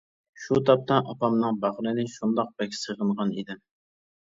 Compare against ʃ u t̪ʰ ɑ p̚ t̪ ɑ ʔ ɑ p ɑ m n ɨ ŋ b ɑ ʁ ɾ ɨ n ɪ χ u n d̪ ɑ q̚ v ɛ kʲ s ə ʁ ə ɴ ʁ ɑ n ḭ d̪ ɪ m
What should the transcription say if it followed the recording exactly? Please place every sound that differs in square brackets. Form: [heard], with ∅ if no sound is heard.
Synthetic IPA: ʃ u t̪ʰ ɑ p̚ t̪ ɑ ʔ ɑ p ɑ m n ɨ ŋ b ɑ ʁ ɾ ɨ n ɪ [ʃ] u n d̪ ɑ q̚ [b] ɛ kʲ s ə ʁ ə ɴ ʁ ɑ n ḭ d̪ ɪ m